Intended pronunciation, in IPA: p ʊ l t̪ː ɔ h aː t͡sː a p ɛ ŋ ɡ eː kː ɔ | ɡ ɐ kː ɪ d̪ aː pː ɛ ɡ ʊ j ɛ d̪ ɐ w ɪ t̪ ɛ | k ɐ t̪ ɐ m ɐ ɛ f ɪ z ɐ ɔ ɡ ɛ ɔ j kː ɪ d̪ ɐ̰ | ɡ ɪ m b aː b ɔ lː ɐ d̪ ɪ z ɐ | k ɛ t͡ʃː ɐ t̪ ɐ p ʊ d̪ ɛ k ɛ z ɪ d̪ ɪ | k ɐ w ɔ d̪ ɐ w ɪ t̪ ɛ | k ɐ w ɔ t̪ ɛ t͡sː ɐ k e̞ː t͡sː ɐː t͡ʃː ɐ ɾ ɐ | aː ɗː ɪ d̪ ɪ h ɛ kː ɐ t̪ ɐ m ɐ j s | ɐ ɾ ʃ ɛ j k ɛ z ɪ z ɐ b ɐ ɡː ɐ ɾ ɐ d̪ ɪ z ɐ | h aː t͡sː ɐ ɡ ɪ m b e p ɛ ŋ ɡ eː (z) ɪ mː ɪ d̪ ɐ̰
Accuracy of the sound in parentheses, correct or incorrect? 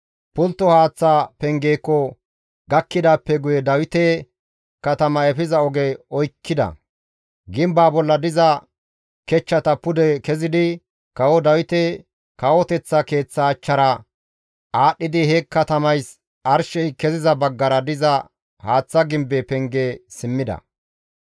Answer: incorrect